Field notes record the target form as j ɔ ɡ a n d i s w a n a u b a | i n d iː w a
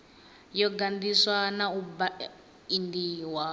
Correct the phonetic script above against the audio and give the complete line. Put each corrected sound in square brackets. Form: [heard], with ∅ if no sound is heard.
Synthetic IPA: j ɔ ɡ a n d i s w a n a u b a | i n d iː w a

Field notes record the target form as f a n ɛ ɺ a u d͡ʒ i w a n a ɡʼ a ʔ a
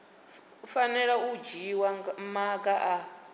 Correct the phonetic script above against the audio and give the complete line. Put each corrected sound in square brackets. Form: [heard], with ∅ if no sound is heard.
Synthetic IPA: f a n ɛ ɺ a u d͡ʒ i w a [m] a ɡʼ a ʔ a

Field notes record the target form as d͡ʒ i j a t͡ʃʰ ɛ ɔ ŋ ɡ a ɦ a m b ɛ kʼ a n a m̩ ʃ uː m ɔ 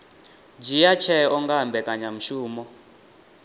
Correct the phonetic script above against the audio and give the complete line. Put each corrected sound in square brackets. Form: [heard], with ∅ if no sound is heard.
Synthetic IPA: d͡ʒ i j a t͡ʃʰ ɛ ɔ ŋ ɡ a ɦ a m b ɛ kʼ a [ɲ] a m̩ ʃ uː m ɔ

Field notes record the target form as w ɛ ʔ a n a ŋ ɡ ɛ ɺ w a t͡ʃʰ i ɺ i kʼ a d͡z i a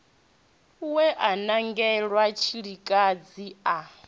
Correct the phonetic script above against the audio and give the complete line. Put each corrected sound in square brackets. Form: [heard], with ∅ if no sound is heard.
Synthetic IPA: w ɛ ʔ a n a ŋ ɡ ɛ ɺ w a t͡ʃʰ i ɺ i kʼ a d͡z i a

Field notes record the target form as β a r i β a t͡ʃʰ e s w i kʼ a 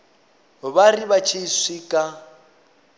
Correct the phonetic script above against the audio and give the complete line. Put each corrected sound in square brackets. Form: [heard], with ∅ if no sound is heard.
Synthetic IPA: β a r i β a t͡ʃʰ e s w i kʼ a

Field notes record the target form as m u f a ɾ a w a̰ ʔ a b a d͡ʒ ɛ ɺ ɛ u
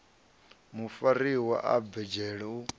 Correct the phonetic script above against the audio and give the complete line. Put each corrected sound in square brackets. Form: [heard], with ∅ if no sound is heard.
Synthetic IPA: m u f a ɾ [i] w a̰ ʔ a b [ɛ] d͡ʒ ɛ ɺ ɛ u

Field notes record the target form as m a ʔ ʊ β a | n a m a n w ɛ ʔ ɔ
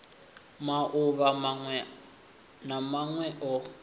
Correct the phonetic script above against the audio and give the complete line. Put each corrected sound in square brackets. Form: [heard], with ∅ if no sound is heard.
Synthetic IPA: m a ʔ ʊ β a | n a m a [ŋ] w ɛ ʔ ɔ

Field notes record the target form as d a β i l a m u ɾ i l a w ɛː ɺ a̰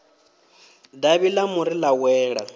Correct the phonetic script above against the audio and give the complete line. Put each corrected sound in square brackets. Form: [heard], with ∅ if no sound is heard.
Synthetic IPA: d a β i l a m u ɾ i l a w ɛː ɺ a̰

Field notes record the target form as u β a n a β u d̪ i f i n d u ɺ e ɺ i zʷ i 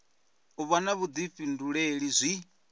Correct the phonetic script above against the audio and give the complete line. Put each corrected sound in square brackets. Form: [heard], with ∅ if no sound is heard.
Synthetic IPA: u β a n a β u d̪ i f i n d u ɺ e ɺ i zʷ i

